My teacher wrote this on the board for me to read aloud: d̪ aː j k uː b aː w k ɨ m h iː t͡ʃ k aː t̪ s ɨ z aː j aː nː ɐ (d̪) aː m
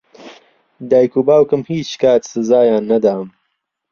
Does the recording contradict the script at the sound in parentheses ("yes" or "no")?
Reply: no